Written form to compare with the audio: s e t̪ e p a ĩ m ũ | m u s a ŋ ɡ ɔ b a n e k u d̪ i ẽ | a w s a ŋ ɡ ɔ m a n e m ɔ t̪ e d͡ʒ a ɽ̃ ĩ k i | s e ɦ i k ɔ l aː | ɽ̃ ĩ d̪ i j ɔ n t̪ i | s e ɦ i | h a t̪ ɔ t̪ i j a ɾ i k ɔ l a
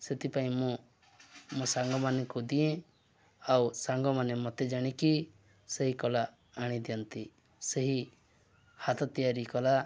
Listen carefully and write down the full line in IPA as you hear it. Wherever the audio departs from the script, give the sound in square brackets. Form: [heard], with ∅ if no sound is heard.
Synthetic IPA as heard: s e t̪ [i] p a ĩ m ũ | m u s a ŋ ɡ ɔ [m] a n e k u d̪ i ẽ | a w s a ŋ ɡ ɔ m a n e m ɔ t̪ e d͡ʒ a ɽ̃ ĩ k i | s e ɦ i k ɔ l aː | ɽ̃ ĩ d̪ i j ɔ n t̪ i | s e ɦ i | h a t̪ ɔ t̪ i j a ɾ i k ɔ l a